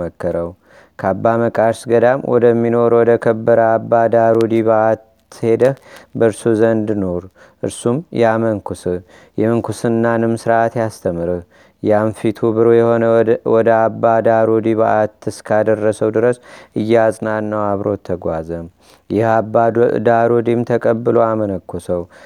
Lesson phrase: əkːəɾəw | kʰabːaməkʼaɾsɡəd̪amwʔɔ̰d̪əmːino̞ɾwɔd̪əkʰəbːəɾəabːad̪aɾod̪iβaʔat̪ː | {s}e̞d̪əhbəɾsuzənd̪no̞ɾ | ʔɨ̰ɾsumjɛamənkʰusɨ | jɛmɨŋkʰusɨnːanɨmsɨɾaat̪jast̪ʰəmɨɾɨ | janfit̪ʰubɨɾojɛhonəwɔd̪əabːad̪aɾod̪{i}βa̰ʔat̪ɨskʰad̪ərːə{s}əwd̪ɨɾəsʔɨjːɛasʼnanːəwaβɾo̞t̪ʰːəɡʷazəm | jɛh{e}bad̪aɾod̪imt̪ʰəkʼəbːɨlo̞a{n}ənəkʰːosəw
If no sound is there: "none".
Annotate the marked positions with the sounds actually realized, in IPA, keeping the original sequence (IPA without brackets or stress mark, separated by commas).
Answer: h, i, s, a, m